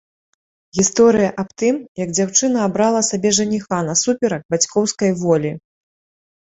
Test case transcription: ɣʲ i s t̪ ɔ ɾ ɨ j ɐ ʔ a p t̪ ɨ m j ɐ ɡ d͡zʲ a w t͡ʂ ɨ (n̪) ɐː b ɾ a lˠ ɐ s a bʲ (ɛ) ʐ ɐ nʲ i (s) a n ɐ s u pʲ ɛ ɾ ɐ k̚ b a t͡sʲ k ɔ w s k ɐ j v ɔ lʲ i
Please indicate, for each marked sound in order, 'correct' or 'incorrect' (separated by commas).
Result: correct, correct, incorrect